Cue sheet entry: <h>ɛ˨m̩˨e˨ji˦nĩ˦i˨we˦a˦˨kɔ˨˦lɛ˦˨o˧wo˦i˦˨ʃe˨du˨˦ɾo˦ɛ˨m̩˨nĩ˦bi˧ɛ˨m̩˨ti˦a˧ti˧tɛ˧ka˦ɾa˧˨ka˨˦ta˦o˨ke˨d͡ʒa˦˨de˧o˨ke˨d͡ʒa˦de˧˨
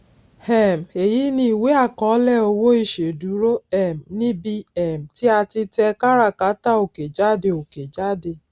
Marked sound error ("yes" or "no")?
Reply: no